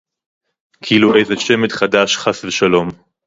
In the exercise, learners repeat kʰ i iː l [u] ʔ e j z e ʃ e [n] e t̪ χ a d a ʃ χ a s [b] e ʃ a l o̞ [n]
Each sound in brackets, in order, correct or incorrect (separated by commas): correct, incorrect, incorrect, incorrect